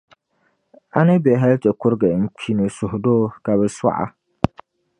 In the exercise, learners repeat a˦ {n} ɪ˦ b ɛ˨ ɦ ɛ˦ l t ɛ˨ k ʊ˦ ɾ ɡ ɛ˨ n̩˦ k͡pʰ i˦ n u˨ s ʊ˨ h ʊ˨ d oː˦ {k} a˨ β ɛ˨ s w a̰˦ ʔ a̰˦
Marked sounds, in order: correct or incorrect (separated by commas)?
correct, correct